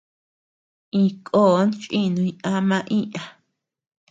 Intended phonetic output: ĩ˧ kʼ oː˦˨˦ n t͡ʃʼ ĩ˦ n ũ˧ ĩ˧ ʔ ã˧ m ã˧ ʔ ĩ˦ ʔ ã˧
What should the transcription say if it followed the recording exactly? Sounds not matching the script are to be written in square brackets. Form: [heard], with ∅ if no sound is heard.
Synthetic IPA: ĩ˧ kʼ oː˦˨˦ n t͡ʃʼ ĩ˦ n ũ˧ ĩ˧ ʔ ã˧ m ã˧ ʔ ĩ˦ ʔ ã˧